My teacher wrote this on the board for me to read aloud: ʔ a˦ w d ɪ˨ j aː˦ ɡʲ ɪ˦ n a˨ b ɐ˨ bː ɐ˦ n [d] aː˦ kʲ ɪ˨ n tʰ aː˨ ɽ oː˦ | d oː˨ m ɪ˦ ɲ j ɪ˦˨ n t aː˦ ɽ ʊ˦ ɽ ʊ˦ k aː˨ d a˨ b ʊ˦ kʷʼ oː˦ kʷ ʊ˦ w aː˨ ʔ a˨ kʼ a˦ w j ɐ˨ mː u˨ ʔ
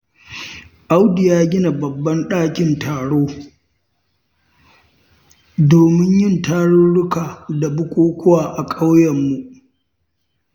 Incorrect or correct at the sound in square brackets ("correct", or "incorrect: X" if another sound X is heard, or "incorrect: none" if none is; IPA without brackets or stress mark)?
incorrect: ɗ